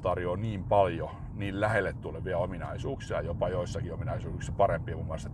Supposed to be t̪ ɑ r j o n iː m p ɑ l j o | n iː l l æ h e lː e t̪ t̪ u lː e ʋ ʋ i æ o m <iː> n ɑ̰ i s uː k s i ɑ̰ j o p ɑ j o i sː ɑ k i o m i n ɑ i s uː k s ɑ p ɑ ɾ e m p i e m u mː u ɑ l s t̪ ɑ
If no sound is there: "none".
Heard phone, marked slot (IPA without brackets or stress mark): i